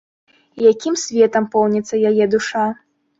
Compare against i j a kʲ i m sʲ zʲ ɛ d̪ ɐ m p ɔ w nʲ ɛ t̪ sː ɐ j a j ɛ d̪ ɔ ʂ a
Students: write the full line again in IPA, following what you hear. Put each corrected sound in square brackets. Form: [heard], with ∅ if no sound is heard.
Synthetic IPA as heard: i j a kʲ i m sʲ [vʲ] ɛ [t̪] ɐ m p ɔ w nʲ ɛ t̪ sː ɐ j a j ɛ d̪ [u] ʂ a